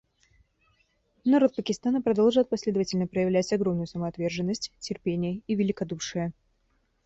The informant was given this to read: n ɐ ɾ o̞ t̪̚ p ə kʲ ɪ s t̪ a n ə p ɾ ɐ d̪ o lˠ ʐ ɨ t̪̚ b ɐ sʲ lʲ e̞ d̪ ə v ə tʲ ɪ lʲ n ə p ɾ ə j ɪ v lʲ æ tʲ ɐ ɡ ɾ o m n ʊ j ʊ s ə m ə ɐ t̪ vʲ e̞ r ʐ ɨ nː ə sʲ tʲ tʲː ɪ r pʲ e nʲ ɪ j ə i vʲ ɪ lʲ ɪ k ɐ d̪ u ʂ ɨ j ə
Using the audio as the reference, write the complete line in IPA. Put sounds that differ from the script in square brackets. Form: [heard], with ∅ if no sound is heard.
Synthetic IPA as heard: n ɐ ɾ o̞ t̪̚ p ə kʲ ɪ s t̪ a n ə p ɾ ɐ d̪ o lˠ ʐ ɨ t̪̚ [p] ɐ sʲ lʲ e̞ d̪ ə v ə tʲ ɪ lʲ n ə p ɾ ə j ɪ v lʲ æ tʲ ɐ ɡ ɾ o m n ʊ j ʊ s ə m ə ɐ t̪ vʲ e̞ r ʐ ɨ nː ə sʲ tʲ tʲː ɪ r pʲ e nʲ ɪ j ə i vʲ ɪ lʲ ɪ k ɐ d̪ u ʂ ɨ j ə